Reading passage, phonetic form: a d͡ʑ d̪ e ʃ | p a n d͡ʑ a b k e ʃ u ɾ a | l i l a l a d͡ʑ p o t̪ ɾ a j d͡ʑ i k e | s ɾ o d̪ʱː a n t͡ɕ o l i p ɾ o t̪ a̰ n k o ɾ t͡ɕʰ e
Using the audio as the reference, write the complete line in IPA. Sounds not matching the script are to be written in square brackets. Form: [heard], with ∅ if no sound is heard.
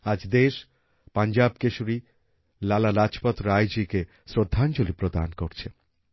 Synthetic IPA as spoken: a d͡ʑ d̪ e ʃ | p a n d͡ʑ a b k e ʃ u ɾ [i] | l [a] l a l a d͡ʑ p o t̪ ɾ a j d͡ʑ i k e | s ɾ o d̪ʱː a n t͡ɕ o l i p ɾ o [d̪] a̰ n k o ɾ t͡ɕʰ e